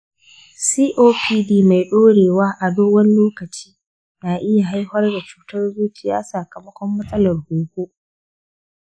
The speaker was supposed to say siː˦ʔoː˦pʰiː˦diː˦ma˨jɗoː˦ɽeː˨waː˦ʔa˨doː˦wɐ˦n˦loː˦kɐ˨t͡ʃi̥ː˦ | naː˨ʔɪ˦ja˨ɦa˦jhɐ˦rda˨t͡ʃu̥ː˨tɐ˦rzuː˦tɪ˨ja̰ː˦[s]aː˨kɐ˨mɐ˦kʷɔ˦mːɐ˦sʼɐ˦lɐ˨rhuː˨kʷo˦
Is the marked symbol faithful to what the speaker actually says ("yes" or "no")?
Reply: yes